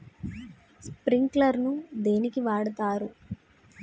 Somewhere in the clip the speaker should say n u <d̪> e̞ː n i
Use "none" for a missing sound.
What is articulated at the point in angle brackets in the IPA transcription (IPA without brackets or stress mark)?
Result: d̪